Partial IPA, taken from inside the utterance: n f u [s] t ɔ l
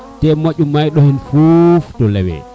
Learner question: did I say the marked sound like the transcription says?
no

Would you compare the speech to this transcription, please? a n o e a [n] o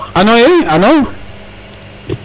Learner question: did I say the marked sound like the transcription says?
yes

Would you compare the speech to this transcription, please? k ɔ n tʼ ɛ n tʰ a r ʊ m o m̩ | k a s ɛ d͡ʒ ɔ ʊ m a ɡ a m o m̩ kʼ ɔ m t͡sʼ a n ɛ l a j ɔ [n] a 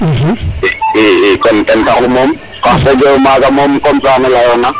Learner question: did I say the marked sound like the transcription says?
yes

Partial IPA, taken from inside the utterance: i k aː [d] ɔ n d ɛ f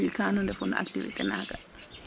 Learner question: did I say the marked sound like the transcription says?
no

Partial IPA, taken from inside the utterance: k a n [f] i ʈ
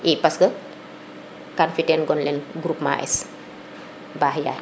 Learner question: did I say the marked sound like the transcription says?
yes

